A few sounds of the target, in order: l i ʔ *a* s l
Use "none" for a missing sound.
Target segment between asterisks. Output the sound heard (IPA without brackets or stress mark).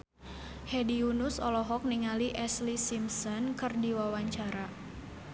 ɛ